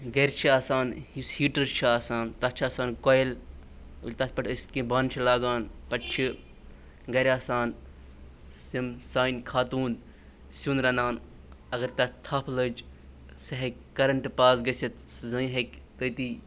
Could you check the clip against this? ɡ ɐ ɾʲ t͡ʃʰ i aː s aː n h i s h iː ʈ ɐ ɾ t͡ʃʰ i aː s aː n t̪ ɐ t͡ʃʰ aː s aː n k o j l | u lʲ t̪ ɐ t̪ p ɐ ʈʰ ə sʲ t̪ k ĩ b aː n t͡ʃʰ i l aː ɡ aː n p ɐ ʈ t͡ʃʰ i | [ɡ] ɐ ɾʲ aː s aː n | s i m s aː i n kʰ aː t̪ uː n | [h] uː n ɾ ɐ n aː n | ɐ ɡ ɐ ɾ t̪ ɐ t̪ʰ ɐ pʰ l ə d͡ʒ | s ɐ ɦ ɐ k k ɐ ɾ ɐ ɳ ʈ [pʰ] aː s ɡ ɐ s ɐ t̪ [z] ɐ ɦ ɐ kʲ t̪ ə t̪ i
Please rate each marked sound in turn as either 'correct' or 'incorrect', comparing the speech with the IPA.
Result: correct, incorrect, incorrect, correct

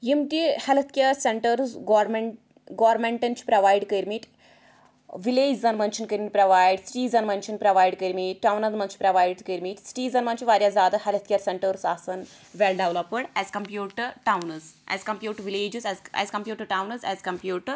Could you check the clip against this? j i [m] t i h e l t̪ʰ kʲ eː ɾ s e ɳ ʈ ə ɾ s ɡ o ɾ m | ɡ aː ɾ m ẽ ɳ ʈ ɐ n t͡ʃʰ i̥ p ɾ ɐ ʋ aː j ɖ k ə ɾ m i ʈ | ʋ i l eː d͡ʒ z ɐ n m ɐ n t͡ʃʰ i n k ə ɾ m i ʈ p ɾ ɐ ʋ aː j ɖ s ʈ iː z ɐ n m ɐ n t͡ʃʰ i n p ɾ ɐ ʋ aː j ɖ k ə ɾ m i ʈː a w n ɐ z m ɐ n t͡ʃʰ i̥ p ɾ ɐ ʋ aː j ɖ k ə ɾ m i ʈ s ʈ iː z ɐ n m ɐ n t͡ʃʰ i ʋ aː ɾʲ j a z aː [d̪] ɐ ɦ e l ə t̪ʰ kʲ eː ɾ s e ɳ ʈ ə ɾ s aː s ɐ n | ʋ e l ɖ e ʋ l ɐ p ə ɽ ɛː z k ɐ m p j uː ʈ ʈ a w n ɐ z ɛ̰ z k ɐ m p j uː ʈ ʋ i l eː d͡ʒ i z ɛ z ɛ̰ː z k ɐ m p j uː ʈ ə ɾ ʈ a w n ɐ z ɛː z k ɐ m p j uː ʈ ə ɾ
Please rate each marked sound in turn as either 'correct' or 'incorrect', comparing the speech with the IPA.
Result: correct, correct

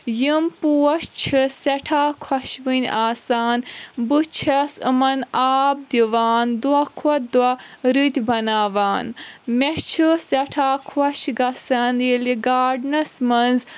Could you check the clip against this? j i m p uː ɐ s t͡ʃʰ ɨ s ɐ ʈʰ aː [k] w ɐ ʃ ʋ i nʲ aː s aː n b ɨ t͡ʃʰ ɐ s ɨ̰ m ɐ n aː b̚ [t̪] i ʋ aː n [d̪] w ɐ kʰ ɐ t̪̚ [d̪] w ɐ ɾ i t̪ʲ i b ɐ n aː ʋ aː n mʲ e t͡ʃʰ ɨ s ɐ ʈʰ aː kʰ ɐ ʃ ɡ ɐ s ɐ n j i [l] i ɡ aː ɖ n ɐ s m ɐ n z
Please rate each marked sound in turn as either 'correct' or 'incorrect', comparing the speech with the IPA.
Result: incorrect, incorrect, correct, correct, correct

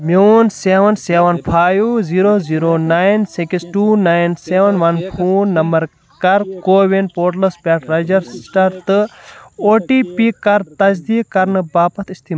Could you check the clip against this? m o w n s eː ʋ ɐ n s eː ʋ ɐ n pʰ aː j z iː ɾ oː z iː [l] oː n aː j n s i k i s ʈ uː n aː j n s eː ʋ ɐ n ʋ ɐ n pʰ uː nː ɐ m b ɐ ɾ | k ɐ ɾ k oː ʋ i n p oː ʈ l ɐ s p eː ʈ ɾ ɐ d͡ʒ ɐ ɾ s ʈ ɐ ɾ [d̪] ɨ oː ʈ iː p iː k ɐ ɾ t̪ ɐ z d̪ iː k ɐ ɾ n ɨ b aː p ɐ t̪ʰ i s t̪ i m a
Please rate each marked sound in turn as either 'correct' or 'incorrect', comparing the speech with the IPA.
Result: incorrect, incorrect

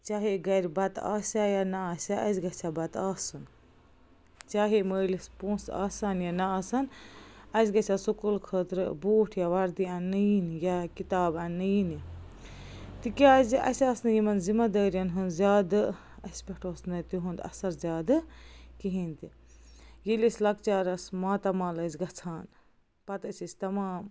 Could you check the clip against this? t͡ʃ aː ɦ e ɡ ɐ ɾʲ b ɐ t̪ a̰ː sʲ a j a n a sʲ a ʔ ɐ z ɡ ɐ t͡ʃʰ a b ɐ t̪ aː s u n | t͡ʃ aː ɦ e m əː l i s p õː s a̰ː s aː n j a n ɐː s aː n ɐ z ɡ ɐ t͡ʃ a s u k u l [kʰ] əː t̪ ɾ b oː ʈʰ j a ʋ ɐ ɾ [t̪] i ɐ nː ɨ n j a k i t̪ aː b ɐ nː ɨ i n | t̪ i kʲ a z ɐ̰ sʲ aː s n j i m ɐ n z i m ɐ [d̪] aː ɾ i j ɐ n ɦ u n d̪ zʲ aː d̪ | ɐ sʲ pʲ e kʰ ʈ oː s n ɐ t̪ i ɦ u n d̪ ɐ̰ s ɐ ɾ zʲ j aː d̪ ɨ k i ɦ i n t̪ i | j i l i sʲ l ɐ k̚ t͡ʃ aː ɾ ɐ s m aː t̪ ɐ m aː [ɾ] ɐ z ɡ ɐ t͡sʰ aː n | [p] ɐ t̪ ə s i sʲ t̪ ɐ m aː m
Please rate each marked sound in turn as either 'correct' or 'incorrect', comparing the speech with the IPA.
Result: correct, incorrect, correct, incorrect, correct

